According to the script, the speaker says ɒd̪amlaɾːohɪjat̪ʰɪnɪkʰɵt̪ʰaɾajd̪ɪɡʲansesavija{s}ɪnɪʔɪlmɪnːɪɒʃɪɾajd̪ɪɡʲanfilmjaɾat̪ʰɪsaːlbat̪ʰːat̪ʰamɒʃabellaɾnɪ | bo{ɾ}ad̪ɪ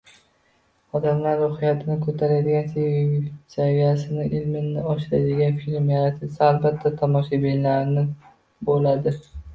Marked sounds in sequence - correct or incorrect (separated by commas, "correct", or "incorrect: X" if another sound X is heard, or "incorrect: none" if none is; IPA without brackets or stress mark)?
correct, incorrect: l